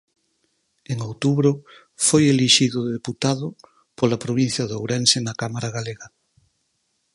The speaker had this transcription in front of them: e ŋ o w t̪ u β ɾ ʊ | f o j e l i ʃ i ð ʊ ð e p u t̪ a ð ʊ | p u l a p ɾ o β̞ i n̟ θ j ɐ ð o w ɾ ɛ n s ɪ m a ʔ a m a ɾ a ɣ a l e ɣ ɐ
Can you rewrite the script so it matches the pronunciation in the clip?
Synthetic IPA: e ŋ o w t̪ u β ɾ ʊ | f o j e l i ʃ i ð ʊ ð e p u t̪ a ð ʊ | p o l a p ɾ o β̞ i n̟ θ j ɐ ð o w ɾ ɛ n s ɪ n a k a m a ɾ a ɣ a l e ɣ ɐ